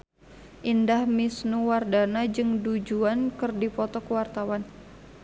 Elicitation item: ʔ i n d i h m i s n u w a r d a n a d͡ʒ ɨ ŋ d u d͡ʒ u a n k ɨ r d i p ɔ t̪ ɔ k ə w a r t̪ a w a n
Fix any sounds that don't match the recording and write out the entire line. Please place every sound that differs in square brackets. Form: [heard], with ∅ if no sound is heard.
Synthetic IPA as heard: ʔ i n d [a] h m i s n u w a r d a n a d͡ʒ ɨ ŋ d u d͡ʒ u a n k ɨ r d i p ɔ t̪ ɔ k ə w a r t̪ a w a n